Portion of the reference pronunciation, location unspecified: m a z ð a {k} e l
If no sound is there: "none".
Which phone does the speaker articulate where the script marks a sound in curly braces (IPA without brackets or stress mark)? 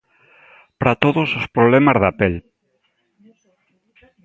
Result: p